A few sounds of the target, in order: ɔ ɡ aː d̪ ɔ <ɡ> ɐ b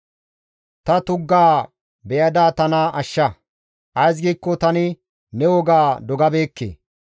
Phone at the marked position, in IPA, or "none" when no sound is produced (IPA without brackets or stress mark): ɡ